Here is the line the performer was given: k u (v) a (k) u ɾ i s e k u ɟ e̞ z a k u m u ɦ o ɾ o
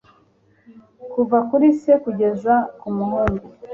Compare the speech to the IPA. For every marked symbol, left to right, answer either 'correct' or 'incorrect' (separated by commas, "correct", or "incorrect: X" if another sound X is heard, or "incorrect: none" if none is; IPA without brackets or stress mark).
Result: correct, correct